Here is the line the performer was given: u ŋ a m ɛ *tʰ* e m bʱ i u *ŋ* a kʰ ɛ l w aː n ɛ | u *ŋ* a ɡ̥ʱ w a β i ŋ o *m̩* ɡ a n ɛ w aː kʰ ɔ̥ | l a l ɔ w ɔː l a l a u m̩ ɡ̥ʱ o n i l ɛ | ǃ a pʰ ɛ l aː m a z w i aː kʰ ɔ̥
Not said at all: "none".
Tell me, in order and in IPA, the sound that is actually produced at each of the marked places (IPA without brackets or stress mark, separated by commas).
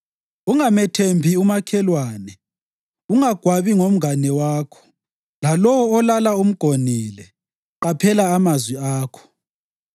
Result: tʰ, m, ŋ, m̩